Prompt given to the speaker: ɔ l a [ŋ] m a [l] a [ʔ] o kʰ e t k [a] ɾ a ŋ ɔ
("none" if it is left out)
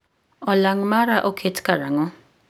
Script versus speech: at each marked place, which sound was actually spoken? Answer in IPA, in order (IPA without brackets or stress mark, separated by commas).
ŋ, ɾ, ʔ, a